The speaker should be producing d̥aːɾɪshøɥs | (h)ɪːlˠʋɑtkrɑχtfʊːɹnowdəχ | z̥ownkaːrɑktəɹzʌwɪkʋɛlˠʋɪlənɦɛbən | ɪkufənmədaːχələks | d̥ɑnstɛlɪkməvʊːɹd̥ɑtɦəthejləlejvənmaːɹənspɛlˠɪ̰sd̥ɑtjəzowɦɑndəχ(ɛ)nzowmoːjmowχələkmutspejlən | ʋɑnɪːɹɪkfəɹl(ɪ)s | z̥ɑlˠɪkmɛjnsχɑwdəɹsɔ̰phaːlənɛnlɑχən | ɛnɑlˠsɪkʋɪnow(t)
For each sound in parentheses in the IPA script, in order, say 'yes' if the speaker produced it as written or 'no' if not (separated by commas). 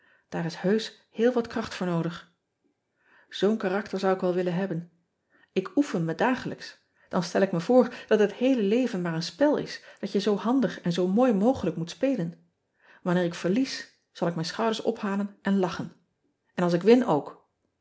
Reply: yes, yes, no, no